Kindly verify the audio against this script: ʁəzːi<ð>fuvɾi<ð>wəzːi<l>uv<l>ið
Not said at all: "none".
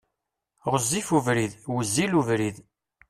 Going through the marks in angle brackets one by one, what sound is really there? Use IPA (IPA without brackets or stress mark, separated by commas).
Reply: none, ð, l, ɾ